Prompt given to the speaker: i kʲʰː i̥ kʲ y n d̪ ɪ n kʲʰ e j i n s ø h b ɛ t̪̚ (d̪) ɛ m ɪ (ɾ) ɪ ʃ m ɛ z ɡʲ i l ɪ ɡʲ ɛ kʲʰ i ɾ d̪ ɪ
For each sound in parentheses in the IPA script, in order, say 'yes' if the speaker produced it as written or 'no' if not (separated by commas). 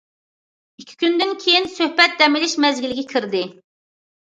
yes, no